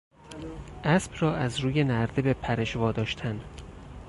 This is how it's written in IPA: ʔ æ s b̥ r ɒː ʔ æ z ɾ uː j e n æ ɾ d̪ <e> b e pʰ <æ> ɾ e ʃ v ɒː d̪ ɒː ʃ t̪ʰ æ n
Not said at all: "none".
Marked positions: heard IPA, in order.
e, æ

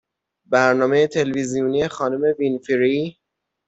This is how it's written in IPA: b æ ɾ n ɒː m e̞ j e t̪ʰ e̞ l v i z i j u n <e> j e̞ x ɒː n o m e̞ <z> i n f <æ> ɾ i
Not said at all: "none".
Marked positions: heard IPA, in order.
i, v, i

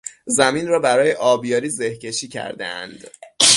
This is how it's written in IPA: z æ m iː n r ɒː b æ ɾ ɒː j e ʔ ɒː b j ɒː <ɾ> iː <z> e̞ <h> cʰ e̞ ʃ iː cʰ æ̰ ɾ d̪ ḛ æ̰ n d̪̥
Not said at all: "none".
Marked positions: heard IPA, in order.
ɾ, z, h

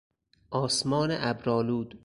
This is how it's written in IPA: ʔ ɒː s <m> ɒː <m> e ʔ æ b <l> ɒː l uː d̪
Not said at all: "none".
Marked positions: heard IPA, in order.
m, n, ɾ

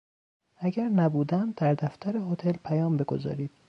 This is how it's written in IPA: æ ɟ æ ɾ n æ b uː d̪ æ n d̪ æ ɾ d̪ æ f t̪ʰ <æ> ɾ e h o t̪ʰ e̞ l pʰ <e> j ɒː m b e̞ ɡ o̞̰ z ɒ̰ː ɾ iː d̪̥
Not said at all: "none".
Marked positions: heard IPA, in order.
æ, æ

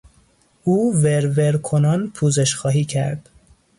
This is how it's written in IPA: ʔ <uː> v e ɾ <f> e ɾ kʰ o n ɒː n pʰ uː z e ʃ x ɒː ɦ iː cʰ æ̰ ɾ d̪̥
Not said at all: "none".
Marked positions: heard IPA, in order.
uː, v

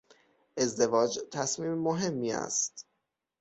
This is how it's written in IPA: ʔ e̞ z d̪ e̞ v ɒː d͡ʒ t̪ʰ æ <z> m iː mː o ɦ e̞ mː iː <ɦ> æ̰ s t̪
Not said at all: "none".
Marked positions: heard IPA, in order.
s, none

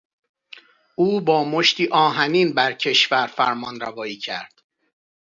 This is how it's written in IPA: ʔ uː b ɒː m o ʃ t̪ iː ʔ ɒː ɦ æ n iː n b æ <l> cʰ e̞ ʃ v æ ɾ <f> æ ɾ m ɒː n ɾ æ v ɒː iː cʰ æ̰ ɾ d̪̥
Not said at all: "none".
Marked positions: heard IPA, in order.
ɾ, f

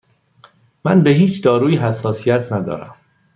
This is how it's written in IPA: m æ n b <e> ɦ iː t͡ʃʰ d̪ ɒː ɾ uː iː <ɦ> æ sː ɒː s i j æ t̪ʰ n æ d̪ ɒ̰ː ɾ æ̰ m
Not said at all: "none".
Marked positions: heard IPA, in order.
e, ɦ

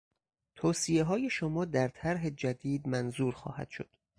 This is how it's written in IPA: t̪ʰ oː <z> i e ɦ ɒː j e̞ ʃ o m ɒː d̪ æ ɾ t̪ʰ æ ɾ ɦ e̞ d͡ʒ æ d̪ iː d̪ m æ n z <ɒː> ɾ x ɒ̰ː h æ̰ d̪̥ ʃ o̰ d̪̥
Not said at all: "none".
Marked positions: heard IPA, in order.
s, uː

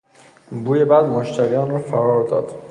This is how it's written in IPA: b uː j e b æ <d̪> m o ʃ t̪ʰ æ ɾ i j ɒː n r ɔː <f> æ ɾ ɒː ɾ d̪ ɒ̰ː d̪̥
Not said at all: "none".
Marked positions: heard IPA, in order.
d̪, f

